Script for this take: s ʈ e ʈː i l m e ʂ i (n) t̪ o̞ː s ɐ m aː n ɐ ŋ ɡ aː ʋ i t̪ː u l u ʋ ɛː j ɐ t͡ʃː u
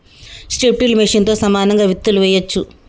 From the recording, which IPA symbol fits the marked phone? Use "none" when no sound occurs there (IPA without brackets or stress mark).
n